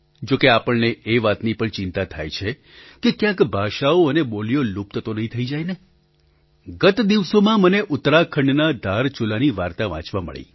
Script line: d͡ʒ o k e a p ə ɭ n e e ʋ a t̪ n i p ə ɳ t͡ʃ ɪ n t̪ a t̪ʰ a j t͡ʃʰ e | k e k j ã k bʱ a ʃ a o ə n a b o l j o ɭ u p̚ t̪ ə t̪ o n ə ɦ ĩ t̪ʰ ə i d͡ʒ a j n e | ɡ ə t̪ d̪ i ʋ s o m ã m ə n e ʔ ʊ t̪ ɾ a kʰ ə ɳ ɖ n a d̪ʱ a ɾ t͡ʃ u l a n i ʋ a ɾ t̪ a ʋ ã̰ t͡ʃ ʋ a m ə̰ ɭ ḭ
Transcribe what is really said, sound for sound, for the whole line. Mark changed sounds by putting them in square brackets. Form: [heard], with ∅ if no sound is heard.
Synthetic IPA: d͡ʒ o k e a p ə ɭ n e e ʋ a t̪ n i p ə ɳ t͡ʃ ɪ n t̪ a t̪ʰ a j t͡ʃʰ e | k e k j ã k bʱ a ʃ a o ə n [e] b o l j o [l] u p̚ t̪ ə t̪ o n ə ɦ ĩ t̪ʰ ə i d͡ʒ a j n e | ɡ ə t̪ d̪ i ʋ s o m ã m ə n e ʔ ʊ t̪ ɾ a kʰ ə ɳ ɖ n a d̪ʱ a ɾ t͡ʃ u l a n i ʋ a ɾ t̪ a ʋ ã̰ t͡ʃ ʋ a m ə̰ ɭ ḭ